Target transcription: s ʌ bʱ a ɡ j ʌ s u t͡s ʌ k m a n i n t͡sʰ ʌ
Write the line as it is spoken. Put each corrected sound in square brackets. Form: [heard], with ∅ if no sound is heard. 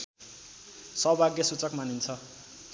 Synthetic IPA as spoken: s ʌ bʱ a ɡ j ʌ s u t͡s ʌ k m a n i n t͡sʰ ʌ